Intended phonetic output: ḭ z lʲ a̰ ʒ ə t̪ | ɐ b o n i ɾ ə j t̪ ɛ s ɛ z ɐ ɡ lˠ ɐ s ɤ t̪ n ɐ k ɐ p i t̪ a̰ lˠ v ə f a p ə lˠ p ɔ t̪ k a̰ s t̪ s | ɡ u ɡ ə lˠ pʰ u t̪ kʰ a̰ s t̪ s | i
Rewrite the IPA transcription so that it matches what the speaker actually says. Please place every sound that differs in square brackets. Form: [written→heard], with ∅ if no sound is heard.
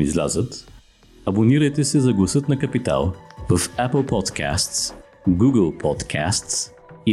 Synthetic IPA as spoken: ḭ z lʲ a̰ [ʒ→z] ə t̪ | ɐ b o n i ɾ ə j t̪ ɛ s ɛ z ɐ ɡ lˠ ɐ s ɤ t̪ n ɐ k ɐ p i t̪ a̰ lˠ v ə f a p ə lˠ p ɔ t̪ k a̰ s t̪ s | ɡ u ɡ ə lˠ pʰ [u→ɔ] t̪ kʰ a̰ s t̪ s | i